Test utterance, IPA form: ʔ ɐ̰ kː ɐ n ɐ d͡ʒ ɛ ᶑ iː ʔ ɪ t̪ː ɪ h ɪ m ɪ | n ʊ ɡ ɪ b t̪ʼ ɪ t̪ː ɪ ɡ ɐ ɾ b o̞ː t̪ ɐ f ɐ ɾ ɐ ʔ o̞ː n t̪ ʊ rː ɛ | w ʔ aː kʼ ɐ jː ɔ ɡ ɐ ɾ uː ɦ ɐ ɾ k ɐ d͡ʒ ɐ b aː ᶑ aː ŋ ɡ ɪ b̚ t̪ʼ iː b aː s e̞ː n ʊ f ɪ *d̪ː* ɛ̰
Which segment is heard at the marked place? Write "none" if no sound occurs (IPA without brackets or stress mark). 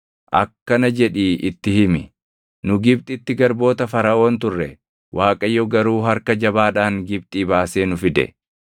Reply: d̪